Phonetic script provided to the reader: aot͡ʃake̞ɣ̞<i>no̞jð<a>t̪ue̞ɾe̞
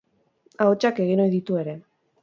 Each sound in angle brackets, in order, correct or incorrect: correct, incorrect

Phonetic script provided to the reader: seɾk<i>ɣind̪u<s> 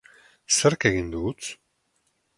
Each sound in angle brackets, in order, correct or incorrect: incorrect, incorrect

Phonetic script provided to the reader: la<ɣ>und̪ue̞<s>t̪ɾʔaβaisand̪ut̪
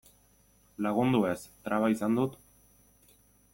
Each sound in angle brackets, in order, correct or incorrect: correct, correct

